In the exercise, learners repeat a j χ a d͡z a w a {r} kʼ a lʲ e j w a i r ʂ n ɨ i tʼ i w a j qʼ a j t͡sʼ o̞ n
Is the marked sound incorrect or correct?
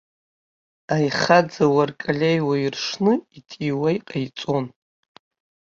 correct